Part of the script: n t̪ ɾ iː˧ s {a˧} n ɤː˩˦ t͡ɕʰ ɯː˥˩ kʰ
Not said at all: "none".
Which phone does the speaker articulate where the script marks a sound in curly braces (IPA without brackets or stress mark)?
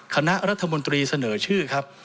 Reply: a˧